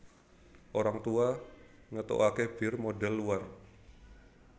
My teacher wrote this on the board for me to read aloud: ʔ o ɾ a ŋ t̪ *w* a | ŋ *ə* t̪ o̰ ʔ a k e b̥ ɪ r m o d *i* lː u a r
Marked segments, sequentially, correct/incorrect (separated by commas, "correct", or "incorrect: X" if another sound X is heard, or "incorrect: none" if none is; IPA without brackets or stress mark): incorrect: u, correct, incorrect: ɛ